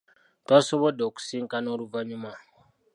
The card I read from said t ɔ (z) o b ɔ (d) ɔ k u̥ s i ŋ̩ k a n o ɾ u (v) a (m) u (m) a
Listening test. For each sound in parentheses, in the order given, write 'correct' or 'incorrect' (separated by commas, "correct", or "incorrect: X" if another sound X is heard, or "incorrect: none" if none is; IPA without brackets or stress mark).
incorrect: s, correct, correct, incorrect: ɲ, correct